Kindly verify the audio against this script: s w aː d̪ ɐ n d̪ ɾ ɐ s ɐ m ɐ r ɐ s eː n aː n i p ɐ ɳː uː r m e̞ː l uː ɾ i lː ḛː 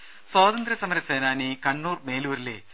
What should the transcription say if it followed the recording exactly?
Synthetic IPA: s w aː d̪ ɐ n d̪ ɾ ɐ s ɐ m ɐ ɾ ɐ s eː n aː n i k ɐ ɳː uː r m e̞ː l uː ɾ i l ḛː